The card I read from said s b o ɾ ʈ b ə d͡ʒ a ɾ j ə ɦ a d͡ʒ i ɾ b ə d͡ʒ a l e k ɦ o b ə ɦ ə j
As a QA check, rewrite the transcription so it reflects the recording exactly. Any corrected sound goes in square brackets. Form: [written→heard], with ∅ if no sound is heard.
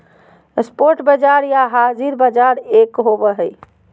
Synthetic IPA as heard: s [b→p] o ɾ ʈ b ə d͡ʒ a ɾ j [ə→a] ɦ a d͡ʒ i ɾ b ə d͡ʒ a [l→ɾ] e k ɦ o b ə ɦ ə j